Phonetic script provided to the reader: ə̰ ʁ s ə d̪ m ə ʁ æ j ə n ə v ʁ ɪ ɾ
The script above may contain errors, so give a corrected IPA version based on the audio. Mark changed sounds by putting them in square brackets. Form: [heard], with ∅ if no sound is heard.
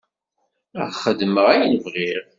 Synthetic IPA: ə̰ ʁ [χ] ə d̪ m ə ʁ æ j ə n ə v ʁ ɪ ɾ